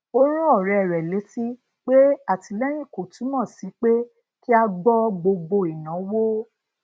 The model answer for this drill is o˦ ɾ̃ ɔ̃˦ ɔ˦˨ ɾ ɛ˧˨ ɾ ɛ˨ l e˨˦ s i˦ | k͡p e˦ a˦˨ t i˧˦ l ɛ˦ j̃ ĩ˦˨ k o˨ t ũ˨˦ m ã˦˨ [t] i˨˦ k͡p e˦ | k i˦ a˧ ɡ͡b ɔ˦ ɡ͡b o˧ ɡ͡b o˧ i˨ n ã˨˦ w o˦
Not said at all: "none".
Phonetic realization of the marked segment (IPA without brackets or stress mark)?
s